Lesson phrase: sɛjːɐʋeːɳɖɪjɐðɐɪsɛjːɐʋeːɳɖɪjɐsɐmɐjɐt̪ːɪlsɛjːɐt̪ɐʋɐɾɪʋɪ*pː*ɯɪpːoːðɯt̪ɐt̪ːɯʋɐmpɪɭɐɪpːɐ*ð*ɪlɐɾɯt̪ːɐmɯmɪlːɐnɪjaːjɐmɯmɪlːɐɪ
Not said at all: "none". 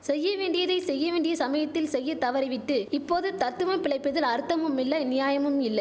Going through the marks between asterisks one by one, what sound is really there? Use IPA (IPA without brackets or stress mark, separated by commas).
ʈː, ð